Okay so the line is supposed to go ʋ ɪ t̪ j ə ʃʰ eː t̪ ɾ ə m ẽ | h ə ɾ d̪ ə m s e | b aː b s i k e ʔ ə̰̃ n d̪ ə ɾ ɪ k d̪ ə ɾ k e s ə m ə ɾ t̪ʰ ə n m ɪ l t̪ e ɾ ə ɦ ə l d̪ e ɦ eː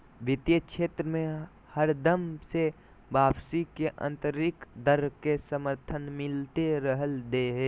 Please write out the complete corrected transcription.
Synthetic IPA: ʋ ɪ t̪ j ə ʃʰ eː t̪ ɾ ə m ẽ | h ə ɾ d̪ ə m s e | b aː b s i k e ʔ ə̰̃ n t̪ ə ɾ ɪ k d̪ ə ɾ k e s ə m ə ɾ t̪ʰ ə n m ɪ l t̪ e ɾ ə ɦ ə l d̪ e ɦ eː